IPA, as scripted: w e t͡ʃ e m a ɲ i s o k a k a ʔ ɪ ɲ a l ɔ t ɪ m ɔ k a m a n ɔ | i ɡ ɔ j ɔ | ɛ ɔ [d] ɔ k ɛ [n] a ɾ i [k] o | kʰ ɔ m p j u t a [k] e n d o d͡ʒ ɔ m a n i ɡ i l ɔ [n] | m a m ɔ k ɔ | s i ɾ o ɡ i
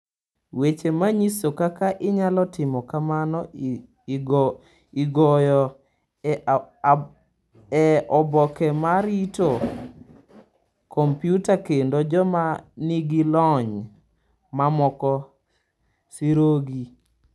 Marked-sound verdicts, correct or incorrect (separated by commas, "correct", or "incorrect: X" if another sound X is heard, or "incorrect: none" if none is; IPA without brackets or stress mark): incorrect: b, incorrect: m, incorrect: t, correct, incorrect: ɲ